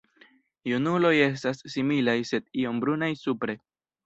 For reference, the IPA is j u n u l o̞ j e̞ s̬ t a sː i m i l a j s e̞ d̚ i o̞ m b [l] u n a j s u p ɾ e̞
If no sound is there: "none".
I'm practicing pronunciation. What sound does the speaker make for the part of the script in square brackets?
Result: ɾ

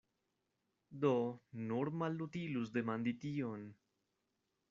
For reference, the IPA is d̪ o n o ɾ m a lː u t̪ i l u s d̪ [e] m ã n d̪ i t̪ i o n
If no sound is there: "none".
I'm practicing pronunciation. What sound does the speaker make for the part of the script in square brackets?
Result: e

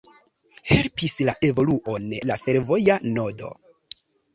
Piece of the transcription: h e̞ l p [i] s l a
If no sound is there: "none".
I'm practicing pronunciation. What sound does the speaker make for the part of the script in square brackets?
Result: i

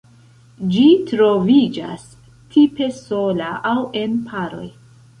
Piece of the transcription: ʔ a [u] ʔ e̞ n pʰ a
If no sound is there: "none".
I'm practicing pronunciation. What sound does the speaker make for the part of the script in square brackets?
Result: w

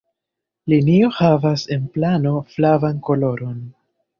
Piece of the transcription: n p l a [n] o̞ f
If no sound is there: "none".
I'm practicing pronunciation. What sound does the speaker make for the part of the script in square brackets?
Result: n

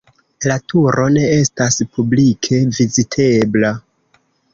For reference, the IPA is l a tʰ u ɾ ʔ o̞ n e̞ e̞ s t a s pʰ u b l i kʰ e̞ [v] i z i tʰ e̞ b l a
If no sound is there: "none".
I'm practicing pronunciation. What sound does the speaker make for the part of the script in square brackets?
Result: v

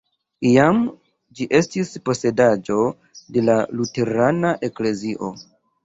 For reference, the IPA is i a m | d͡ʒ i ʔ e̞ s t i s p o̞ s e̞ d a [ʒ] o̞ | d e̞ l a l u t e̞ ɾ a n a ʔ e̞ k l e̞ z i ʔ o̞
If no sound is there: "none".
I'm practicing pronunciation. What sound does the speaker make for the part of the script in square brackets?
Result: d͡ʒ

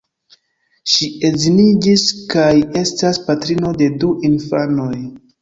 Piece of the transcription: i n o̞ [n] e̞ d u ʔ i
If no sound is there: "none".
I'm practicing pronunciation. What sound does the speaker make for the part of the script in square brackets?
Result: d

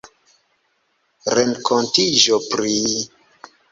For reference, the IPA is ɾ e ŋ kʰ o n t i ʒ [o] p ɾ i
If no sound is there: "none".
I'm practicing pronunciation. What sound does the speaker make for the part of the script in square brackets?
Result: o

